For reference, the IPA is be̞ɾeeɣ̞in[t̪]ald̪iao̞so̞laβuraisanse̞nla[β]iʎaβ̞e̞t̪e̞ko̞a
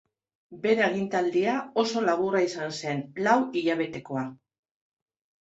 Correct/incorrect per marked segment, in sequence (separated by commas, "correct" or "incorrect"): correct, incorrect